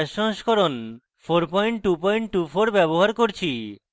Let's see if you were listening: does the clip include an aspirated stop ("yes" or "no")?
yes